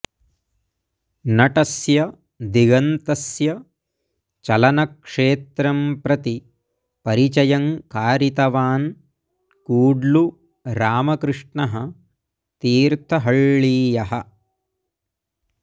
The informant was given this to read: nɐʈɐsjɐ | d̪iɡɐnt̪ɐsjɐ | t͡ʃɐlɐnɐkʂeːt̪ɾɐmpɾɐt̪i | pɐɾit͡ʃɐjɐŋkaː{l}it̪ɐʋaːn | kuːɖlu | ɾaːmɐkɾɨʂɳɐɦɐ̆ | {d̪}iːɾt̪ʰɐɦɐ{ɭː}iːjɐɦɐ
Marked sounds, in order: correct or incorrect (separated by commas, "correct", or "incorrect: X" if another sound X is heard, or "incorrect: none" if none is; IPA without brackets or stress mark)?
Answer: incorrect: ɾ, incorrect: t̪, correct